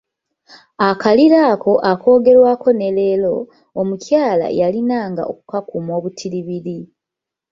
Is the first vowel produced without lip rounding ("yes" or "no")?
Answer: yes